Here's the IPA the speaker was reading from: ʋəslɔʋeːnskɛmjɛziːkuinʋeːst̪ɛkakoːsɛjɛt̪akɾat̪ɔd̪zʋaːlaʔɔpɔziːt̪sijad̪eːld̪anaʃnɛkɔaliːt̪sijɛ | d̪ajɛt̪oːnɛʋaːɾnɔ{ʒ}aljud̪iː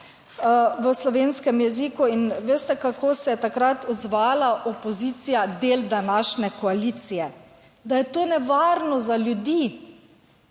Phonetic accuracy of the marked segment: incorrect: z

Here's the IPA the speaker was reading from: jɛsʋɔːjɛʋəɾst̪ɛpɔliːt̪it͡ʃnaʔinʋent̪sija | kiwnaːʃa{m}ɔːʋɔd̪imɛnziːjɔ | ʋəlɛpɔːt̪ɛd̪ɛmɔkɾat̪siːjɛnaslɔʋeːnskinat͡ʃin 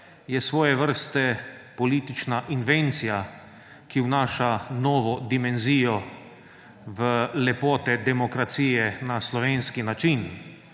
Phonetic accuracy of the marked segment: incorrect: n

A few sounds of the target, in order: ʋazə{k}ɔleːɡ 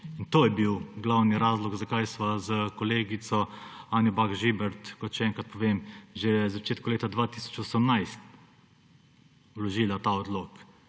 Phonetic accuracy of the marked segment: correct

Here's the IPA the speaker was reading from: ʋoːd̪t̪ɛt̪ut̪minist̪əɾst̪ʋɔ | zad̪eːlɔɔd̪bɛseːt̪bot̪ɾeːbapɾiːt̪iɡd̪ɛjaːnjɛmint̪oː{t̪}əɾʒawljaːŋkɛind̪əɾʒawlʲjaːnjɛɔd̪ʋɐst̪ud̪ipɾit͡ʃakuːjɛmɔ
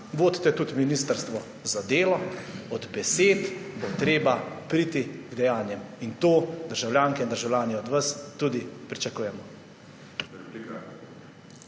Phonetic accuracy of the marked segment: incorrect: d̪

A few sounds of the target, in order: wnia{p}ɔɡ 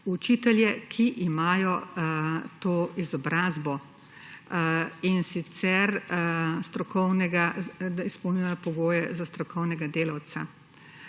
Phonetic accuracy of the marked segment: correct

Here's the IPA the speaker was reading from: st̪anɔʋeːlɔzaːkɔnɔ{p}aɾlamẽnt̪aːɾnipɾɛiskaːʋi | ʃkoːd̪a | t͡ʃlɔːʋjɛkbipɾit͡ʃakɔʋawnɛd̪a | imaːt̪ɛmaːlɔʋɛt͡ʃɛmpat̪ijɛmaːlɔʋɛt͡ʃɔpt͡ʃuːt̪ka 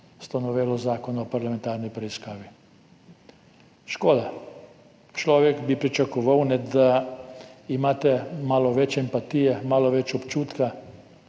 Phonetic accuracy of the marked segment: correct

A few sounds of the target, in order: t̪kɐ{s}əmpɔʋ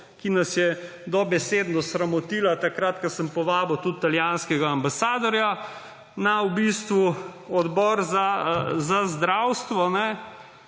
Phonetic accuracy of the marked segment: correct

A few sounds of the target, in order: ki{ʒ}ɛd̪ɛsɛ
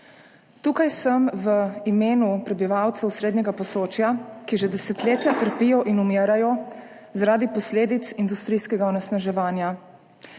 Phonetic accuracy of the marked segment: correct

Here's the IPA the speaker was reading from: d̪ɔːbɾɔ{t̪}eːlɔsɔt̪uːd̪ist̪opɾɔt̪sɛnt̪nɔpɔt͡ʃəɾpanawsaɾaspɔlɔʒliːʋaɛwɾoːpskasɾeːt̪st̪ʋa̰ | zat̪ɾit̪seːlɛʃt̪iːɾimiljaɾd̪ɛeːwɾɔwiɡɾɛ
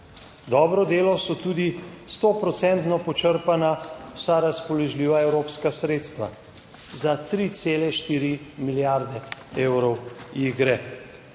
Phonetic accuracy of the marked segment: incorrect: d̪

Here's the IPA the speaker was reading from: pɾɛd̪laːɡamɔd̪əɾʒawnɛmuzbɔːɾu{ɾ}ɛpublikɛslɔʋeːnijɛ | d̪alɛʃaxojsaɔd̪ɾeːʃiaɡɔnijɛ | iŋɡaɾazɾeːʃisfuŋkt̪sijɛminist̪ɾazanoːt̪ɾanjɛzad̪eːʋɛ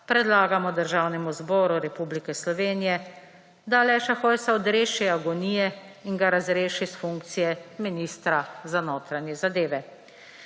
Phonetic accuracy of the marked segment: correct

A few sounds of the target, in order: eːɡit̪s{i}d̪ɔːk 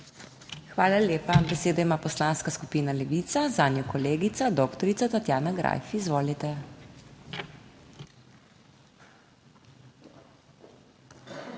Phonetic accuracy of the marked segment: incorrect: a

